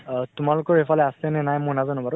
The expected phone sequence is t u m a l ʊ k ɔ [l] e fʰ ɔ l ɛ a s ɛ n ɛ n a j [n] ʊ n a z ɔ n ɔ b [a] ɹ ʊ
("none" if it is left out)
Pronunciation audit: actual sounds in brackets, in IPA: ɹ, m, a

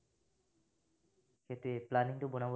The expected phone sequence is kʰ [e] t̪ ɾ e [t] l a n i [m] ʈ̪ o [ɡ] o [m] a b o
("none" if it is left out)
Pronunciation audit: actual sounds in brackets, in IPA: e, p, ŋ, b, n

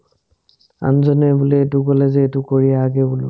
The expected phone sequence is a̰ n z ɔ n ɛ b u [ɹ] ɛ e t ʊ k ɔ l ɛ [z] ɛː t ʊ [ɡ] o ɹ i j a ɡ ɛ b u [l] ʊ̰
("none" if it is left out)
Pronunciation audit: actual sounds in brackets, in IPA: l, z, k, l

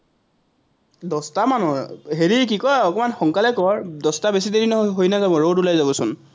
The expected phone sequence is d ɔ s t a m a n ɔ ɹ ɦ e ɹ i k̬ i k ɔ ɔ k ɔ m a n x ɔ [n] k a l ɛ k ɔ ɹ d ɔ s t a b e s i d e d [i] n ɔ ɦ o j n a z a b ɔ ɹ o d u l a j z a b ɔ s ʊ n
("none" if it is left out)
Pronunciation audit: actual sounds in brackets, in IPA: ŋ, i

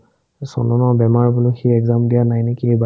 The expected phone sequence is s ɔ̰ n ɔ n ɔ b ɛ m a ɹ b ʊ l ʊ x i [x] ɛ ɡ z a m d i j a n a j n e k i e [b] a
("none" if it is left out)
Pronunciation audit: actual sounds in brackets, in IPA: none, b

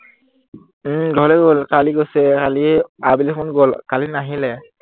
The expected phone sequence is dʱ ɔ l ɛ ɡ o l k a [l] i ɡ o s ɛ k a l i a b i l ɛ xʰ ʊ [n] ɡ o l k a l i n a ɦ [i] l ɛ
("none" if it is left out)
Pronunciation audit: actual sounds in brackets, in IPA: l, n, i

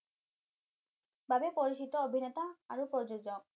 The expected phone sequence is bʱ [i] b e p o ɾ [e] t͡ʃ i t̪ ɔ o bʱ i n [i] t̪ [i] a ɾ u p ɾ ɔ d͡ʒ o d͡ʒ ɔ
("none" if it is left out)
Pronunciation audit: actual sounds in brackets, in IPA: a, i, e, a

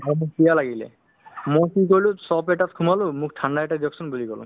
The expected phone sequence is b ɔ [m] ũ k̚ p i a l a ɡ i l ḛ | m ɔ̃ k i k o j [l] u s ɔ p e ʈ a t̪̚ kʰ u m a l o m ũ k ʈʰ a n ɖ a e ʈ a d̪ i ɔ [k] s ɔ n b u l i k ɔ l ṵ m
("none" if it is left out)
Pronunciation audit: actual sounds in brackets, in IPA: m, l, k

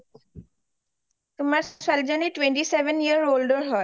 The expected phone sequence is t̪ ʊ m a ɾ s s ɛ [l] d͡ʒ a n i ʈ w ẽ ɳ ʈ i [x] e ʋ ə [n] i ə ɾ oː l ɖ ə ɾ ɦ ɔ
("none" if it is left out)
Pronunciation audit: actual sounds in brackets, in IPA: l, s, n

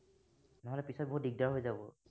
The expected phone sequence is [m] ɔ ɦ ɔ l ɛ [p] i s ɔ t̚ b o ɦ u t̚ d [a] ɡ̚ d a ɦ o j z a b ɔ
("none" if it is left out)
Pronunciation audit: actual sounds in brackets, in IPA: n, p, i

